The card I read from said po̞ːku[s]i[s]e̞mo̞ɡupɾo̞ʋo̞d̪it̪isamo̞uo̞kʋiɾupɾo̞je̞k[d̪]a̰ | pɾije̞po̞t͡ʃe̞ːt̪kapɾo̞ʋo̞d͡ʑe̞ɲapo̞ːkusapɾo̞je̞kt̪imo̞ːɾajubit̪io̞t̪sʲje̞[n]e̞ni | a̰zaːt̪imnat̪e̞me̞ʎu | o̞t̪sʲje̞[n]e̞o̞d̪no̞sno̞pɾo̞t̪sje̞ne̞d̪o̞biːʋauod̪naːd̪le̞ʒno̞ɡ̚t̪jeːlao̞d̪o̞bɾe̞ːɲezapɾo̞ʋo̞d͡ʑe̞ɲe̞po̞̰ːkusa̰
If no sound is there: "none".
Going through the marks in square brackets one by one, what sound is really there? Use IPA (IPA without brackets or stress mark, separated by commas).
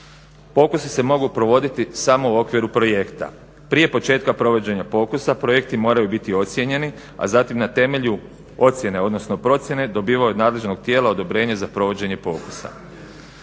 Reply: s, s, t̪, ɲ, n